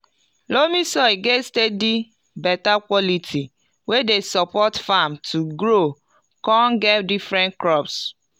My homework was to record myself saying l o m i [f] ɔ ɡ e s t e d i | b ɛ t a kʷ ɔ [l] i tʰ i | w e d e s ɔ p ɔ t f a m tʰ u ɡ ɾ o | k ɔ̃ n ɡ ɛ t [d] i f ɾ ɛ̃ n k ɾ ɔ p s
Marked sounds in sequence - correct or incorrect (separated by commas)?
incorrect, correct, correct